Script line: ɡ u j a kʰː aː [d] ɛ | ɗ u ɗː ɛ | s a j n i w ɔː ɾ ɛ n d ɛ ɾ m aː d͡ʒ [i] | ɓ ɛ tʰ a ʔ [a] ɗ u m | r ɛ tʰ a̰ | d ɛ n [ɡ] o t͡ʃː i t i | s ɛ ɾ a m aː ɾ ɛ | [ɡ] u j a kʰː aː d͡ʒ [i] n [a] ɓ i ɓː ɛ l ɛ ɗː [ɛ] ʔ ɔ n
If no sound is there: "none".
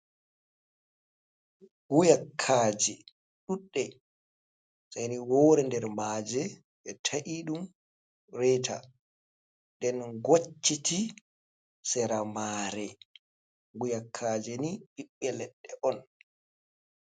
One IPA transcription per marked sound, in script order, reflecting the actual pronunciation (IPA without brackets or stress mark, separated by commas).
d͡ʒ, ɛ, i, ɡ, ɡ, ɛ, i, ɛ